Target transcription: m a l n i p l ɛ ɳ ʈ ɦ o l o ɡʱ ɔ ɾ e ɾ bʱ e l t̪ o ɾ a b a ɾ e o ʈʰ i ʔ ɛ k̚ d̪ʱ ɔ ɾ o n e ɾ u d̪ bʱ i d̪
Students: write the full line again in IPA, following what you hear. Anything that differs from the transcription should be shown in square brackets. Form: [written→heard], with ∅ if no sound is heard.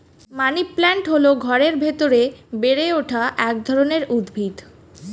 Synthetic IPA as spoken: m a [l→∅] n i p l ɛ ɳ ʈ ɦ o l o ɡʱ ɔ ɾ e ɾ bʱ e [l→∅] t̪ o ɾ [a→e] b [a→e] ɾ e o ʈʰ [i→a] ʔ ɛ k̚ d̪ʱ ɔ ɾ o n e ɾ u d̪ bʱ i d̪